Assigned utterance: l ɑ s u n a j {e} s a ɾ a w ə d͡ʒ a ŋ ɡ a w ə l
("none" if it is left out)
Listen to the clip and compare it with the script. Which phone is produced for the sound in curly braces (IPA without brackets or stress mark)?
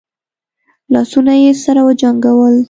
e